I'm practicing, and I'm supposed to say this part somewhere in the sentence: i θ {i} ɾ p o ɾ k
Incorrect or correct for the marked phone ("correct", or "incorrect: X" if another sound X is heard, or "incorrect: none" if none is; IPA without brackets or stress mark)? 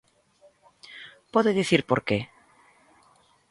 correct